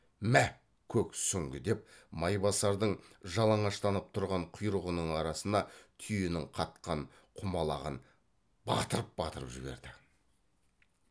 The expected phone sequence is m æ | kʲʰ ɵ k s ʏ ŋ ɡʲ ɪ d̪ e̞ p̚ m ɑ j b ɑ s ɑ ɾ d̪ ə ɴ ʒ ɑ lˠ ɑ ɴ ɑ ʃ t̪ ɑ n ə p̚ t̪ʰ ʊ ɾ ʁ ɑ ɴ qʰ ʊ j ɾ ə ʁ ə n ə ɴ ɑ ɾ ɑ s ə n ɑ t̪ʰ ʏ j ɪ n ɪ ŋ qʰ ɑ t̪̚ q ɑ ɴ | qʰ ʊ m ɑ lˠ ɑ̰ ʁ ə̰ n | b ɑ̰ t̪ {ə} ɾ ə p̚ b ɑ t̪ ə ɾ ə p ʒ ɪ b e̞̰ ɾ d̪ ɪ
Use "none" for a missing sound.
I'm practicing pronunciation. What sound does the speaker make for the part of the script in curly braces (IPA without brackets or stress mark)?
ə